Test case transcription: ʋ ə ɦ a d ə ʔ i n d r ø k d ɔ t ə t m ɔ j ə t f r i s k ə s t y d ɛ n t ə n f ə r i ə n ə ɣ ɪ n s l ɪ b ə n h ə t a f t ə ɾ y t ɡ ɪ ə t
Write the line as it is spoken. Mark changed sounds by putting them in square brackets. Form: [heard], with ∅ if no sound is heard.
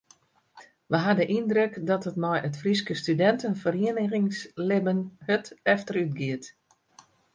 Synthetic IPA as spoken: ʋ ə ɦ a d ə ʔ i n d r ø k d ɔ t ə t m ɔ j ə t f r i s k ə s t y d ɛ n t ə n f ə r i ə n ə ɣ ɪ [ŋ] s l ɪ b ə n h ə t [ɛ] f t ə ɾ y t ɡ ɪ ə t